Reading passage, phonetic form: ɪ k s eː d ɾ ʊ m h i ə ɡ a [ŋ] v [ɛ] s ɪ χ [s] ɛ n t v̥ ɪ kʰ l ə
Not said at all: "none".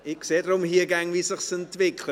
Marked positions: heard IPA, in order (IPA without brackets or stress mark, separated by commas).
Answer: ŋ, i, s